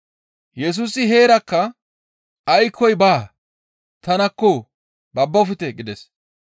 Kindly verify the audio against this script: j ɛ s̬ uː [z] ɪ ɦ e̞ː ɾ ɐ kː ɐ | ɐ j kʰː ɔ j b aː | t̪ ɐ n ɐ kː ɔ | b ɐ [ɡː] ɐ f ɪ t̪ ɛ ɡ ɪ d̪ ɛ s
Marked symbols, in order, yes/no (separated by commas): no, no